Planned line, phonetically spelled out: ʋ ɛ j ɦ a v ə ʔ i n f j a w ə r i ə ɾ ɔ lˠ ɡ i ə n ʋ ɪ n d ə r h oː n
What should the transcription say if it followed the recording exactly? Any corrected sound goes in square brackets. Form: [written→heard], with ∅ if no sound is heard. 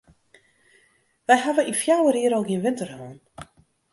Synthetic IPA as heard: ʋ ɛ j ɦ a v ə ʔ i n f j a w ə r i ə ɾ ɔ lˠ ɡ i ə n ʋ ɪ n [d→t] ə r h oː n